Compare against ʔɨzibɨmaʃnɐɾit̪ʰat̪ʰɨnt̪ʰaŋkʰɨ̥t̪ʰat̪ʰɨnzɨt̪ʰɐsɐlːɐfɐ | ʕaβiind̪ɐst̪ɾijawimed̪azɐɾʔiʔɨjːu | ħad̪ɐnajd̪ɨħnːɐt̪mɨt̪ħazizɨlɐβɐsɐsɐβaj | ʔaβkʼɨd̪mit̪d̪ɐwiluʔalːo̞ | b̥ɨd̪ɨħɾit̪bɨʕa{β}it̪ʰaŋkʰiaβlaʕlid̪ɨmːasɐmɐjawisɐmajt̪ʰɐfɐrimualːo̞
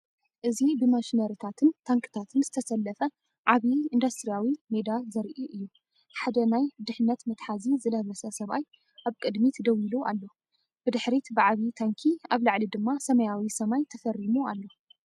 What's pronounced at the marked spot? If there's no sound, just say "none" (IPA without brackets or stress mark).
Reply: β